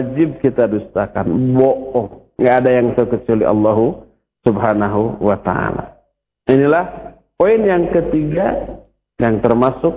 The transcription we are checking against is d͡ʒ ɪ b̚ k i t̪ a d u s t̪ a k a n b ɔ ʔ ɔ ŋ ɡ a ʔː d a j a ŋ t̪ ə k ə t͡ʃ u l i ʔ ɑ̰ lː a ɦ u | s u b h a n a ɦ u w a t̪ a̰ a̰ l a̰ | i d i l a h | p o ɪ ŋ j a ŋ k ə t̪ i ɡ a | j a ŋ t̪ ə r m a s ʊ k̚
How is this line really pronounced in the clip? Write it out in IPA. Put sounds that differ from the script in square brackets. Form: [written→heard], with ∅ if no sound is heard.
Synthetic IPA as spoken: d͡ʒ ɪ b̚ k i t̪ a d u s t̪ a k a n b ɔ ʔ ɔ ŋ ɡ a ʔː d a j a ŋ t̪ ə k ə t͡ʃ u l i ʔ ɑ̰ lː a ɦ u | s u b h a n a ɦ u w a t̪ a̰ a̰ l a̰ | i [d→n] i l a h | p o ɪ [ŋ→n] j a ŋ k ə t̪ i ɡ a | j a ŋ t̪ ə r m a s ʊ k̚